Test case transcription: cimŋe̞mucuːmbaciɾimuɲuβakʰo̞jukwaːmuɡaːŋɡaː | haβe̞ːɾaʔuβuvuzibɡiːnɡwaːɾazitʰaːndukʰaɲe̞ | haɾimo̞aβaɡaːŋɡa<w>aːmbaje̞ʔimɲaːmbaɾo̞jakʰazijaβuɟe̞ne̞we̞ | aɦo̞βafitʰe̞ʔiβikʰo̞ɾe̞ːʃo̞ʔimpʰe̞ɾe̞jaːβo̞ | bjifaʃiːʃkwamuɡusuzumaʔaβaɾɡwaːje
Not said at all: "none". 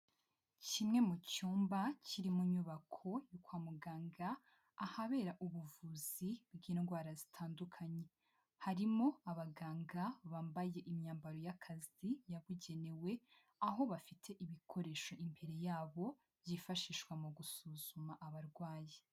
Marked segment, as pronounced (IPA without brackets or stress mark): β